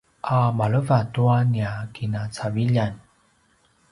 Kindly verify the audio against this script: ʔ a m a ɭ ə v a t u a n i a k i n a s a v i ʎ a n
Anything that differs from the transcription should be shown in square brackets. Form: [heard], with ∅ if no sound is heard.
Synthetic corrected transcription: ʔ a m a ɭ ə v a t u a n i a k i n a [t͡s] a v i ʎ a n

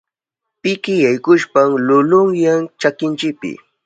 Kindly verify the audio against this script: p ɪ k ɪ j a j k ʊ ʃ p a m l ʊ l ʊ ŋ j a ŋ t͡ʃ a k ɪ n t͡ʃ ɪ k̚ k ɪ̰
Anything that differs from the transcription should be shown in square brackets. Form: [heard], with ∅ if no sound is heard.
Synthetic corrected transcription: p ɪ k ɪ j a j k ʊ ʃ p a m l ʊ l ʊ ŋ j a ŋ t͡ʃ a k ɪ n t͡ʃ ɪ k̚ [p] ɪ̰

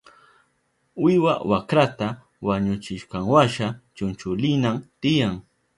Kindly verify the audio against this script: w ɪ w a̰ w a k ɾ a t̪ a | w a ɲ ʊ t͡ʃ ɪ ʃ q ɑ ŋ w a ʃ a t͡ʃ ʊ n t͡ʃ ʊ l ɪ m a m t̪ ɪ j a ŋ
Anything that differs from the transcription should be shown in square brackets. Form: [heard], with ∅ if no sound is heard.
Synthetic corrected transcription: w ɪ w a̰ w a k ɾ a t̪ a | w a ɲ ʊ t͡ʃ ɪ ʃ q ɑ ŋ w a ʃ a t͡ʃ ʊ n t͡ʃ ʊ l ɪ [n] a m t̪ ɪ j a ŋ

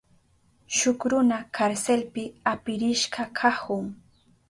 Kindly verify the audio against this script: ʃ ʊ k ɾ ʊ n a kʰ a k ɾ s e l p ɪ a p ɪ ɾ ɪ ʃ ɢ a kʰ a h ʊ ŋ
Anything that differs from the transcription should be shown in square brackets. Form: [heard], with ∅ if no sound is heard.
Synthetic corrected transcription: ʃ ʊ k ɾ ʊ n a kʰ a [∅] ɾ s e l p ɪ a p ɪ ɾ ɪ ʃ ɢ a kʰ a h ʊ ŋ

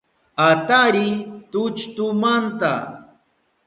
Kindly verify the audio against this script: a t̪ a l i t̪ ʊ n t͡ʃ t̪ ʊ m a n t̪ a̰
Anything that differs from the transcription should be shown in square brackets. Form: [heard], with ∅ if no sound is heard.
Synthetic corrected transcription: a t̪ a [ɾ] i t̪ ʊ [∅] t͡ʃ t̪ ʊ m a n t̪ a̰

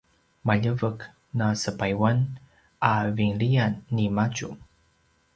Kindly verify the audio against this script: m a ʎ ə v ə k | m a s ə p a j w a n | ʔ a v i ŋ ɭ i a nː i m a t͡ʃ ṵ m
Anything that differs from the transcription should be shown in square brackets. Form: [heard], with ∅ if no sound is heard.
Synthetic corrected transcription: m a ʎ ə v ə k | [n] a s ə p a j w a n | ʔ a v i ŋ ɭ i a nː i m a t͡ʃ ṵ m

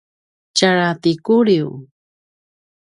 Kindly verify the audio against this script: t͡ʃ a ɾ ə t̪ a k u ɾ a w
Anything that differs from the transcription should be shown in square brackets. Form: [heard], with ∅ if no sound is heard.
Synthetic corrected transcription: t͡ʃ a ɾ [a] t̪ [i] k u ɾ [i] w

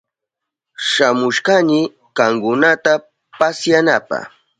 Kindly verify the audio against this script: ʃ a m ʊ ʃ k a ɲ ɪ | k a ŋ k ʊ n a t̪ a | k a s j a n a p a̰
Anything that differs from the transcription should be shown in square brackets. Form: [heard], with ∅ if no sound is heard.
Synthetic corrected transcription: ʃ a m ʊ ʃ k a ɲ ɪ | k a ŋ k ʊ n a t̪ a | [p] a s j a n a p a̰

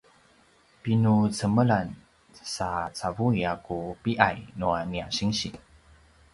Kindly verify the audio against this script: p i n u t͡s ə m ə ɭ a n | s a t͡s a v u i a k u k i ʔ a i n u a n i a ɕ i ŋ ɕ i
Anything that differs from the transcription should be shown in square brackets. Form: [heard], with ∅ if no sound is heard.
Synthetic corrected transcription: p i n u t͡s ə m ə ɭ a n | s a t͡s a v u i a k u [p] i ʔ a [j] n u a n i a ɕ i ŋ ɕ i

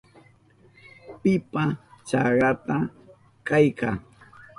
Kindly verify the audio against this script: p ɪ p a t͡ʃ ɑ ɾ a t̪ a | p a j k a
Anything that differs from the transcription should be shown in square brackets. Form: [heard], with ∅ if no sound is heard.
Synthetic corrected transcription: p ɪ p a t͡ʃ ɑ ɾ a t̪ a | [k] a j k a

